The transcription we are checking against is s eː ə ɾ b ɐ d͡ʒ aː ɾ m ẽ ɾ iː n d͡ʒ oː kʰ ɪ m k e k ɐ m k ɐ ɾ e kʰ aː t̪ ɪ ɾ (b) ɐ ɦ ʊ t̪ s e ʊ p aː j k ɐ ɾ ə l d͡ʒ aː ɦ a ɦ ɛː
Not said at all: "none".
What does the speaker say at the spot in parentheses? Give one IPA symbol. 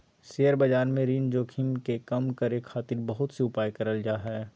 b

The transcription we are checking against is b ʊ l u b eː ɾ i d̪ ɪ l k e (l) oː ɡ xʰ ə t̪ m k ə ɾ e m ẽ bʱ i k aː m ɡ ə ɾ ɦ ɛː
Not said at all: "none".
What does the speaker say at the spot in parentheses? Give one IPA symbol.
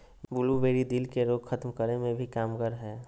ɾ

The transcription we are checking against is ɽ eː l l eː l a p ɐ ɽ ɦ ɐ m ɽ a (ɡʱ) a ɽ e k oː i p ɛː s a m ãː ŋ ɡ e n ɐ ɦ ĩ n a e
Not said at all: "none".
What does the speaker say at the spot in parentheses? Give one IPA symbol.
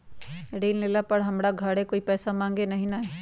ɡʱ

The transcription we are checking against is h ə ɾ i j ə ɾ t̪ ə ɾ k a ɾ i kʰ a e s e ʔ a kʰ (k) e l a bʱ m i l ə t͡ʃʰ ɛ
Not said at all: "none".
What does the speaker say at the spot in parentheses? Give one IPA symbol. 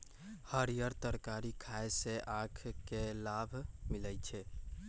k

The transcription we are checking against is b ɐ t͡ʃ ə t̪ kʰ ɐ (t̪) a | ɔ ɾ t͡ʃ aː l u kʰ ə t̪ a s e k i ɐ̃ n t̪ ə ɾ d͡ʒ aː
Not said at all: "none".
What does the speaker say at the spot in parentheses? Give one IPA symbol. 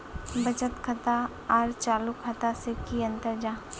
t̪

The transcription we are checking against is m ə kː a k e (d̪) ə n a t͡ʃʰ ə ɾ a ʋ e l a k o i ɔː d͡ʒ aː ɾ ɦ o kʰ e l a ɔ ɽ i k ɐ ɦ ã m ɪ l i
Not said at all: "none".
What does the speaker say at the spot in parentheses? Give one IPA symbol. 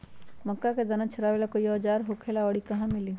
d̪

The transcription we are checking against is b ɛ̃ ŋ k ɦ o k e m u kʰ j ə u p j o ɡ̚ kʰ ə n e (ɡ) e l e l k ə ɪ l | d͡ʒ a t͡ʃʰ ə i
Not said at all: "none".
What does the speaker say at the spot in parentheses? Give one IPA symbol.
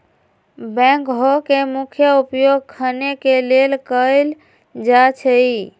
k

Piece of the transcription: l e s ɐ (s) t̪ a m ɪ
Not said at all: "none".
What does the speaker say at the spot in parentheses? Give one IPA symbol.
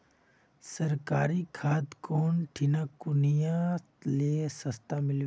s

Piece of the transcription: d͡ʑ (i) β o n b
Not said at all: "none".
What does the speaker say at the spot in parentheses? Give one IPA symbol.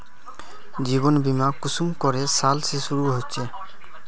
i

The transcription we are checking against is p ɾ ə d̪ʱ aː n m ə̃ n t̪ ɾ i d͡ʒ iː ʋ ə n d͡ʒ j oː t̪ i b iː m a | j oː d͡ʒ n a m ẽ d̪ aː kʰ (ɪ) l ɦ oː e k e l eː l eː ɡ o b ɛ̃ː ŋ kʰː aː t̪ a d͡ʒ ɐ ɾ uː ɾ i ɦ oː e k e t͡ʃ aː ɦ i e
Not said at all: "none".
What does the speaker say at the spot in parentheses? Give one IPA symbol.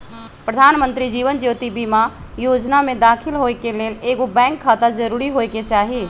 ɪ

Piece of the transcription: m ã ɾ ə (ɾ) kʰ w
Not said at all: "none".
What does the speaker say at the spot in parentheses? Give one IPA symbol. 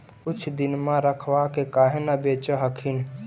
none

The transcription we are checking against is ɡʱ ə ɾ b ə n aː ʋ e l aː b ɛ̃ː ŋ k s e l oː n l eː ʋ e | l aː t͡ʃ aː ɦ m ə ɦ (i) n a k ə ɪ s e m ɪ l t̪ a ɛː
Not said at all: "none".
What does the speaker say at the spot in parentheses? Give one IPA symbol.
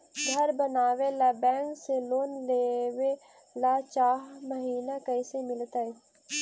iː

